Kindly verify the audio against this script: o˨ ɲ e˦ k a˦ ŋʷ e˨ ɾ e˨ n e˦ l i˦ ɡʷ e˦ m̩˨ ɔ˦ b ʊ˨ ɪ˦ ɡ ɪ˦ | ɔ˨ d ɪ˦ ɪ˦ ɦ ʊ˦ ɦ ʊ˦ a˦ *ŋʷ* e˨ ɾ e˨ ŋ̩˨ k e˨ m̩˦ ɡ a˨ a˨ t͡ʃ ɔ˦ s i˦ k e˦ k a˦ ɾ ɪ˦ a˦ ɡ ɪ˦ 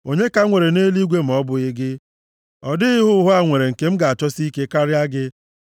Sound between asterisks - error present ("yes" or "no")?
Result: no